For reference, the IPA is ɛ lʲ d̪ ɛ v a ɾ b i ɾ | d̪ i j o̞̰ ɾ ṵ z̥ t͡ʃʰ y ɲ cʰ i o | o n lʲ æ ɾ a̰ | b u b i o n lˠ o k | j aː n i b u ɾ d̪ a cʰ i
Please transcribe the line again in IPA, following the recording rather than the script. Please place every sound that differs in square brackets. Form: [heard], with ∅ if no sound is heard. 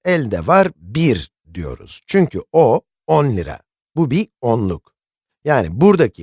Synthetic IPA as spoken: ɛ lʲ d̪ ɛ v a ɾ b i ɾ | d̪ i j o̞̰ ɾ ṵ z̥ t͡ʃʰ y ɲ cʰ [y] o | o n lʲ [i] ɾ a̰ | b u b i o n lˠ [u] k | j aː n i b u ɾ d̪ a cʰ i